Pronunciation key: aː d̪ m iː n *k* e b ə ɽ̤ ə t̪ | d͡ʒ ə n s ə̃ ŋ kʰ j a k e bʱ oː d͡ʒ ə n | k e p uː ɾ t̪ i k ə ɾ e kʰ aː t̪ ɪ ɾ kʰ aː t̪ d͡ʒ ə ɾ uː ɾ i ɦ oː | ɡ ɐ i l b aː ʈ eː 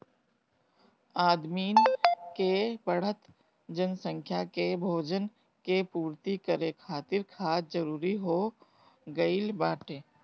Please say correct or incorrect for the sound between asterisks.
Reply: correct